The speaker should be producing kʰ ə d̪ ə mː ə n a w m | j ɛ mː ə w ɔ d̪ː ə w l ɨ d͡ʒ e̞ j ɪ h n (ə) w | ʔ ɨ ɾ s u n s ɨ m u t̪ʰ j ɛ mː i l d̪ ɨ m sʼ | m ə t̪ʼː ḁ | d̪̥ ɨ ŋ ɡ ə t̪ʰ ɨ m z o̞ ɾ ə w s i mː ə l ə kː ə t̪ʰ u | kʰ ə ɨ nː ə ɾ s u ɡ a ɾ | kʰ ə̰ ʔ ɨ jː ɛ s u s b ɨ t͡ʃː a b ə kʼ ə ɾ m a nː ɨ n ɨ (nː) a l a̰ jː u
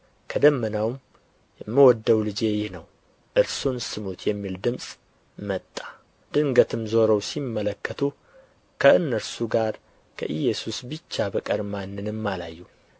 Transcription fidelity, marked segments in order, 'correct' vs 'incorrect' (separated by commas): correct, incorrect